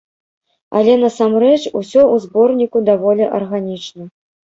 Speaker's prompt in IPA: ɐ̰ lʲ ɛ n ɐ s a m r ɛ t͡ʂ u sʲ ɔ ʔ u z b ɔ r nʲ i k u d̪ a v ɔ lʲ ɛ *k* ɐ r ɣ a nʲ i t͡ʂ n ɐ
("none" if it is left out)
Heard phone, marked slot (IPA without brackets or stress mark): ʔ